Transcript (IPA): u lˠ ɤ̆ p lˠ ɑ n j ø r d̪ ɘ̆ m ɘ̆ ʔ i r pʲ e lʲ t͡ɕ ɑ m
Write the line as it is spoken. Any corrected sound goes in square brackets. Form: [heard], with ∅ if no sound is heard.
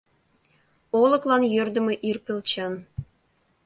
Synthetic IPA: [o] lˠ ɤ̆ [k] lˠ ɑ n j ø r d̪ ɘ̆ m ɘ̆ ʔ i r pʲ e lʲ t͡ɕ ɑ [n]